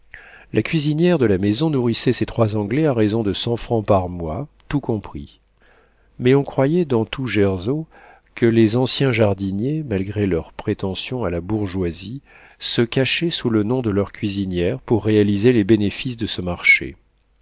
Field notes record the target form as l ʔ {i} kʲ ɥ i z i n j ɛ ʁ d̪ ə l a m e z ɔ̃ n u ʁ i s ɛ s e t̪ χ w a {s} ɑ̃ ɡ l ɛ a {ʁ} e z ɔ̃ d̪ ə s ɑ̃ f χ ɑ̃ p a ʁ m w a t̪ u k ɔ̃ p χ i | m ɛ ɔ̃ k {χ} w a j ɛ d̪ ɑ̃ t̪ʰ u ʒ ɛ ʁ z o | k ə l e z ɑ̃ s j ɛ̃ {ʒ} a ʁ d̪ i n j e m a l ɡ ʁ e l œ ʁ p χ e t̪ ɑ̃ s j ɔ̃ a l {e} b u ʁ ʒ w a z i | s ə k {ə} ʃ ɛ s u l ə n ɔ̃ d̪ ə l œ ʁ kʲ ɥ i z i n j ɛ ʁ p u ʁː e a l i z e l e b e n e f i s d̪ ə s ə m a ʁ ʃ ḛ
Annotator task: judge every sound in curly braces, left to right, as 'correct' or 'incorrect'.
incorrect: a, incorrect: z, correct, correct, correct, incorrect: a, incorrect: a

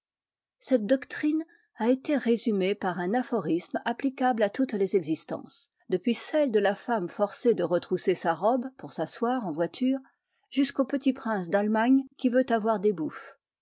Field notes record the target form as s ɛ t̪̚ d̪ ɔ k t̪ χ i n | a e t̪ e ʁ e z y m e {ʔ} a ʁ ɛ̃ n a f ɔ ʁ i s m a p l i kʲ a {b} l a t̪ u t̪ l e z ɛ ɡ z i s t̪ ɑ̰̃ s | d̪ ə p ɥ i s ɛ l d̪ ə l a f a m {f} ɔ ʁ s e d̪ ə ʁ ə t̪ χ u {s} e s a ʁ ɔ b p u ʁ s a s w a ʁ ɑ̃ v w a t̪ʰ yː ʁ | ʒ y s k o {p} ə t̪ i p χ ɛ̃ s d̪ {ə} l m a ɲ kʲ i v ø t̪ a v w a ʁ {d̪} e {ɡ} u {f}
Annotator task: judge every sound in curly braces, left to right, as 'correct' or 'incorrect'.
incorrect: p, correct, correct, correct, correct, incorrect: a, correct, incorrect: b, correct

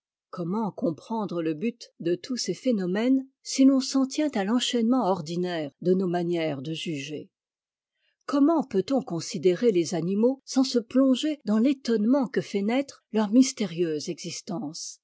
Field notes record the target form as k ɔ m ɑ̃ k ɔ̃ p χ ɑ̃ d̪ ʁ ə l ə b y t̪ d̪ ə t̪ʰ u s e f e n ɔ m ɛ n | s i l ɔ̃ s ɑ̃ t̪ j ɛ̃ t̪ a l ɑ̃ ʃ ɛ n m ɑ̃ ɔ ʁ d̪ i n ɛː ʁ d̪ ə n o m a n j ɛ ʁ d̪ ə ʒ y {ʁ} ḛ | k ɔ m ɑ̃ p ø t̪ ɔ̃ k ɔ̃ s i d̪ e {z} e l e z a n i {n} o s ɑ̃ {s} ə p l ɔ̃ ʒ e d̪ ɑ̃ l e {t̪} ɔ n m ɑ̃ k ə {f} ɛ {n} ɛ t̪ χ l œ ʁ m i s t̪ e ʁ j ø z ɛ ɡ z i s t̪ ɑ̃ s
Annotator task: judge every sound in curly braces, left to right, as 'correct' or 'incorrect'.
incorrect: ʒ, incorrect: ʁ, incorrect: m, correct, correct, correct, correct

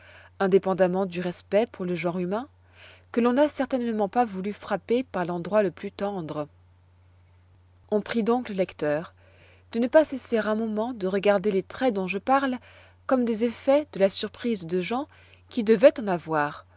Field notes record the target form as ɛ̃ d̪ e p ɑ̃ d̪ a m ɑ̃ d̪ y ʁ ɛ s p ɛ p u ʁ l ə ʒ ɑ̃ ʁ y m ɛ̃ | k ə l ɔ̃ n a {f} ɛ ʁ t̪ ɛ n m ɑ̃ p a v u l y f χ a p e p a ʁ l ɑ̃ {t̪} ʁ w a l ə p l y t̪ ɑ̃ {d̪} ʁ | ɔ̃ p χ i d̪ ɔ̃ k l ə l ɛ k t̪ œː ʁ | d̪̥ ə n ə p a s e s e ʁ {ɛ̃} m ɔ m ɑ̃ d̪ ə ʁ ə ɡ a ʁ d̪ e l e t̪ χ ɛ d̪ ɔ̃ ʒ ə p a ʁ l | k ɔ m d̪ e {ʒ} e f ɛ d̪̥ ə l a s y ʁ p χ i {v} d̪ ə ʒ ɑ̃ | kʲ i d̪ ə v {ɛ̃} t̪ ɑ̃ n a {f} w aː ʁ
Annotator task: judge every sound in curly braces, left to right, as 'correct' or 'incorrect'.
incorrect: s, incorrect: d̪, correct, correct, incorrect: z, incorrect: z, incorrect: ɛ, incorrect: v

